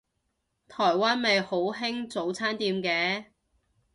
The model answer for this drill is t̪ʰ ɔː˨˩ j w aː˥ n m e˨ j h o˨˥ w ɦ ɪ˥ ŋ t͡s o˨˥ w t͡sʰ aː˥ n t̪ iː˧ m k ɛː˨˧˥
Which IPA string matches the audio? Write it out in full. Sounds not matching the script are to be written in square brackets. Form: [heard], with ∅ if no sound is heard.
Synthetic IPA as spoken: t̪ʰ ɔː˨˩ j w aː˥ n m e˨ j h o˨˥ w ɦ ɪ˥ ŋ t͡s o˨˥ w t͡sʰ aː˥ n t̪ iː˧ m k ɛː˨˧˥